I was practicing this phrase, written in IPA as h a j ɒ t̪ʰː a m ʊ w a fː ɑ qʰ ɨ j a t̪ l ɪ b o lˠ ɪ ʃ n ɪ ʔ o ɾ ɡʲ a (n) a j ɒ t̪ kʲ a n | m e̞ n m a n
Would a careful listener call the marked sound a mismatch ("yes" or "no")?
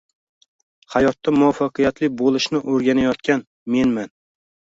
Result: no